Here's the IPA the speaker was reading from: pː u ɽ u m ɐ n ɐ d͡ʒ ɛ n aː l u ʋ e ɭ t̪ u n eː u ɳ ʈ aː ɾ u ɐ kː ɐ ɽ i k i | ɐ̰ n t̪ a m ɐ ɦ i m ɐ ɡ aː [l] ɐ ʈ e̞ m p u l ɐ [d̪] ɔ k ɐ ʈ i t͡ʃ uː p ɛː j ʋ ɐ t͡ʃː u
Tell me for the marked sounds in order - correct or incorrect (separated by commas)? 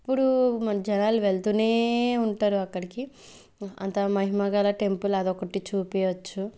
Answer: correct, correct